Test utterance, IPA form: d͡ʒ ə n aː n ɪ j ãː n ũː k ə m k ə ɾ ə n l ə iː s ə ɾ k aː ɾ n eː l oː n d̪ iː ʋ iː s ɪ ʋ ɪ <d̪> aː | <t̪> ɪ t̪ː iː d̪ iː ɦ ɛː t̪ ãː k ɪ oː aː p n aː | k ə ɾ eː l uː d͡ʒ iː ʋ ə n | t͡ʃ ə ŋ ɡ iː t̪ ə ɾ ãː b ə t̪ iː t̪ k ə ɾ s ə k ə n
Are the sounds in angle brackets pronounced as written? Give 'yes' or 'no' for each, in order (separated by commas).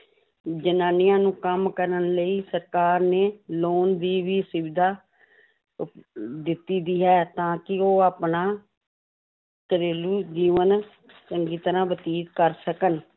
yes, no